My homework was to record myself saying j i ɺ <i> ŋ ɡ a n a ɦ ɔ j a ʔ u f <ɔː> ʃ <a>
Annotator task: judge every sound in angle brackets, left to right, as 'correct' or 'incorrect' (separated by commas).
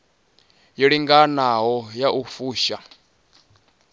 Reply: correct, incorrect, correct